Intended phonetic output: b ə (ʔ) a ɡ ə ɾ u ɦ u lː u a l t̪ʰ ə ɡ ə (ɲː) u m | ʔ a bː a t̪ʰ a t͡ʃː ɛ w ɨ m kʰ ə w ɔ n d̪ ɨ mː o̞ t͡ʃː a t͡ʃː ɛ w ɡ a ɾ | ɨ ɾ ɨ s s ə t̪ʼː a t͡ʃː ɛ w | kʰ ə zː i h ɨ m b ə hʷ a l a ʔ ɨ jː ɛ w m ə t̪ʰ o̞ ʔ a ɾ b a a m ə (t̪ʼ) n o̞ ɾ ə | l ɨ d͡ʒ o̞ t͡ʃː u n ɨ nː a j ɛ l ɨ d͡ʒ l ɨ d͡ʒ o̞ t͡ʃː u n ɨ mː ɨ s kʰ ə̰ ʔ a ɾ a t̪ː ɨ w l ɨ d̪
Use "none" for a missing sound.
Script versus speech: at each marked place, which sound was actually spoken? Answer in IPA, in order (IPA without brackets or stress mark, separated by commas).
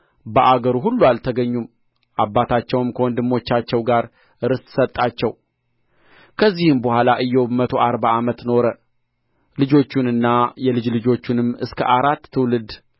ʔ, ɲː, t̪